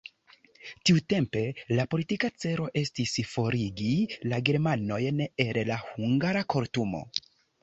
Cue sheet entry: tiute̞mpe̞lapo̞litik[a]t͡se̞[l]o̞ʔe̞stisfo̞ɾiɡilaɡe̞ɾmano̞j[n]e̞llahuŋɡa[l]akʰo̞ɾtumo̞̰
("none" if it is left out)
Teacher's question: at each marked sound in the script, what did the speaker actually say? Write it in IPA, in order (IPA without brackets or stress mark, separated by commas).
a, ɾ, n, ɾ